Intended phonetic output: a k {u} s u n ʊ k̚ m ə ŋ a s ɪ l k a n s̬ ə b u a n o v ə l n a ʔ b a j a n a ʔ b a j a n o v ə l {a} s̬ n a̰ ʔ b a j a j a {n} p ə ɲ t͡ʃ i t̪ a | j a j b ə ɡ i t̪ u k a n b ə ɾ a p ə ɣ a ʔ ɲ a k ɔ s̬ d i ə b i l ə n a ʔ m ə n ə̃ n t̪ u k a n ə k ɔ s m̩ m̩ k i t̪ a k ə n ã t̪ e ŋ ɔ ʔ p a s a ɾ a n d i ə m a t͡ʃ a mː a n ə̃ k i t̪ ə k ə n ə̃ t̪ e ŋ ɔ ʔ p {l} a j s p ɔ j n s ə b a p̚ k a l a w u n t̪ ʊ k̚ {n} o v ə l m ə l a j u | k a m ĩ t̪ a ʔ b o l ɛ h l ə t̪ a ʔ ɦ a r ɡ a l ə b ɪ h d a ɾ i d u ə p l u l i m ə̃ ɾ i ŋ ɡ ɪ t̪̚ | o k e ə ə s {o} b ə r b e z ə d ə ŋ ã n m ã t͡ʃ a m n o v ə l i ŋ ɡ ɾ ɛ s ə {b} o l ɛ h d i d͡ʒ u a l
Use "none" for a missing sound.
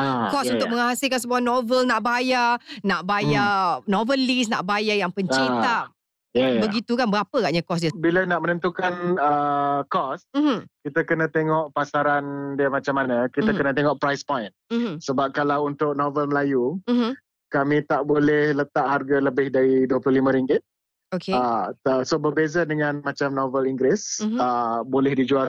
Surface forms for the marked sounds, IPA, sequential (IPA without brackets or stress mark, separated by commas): ɔ, i, ŋ, ɾ, n, o, b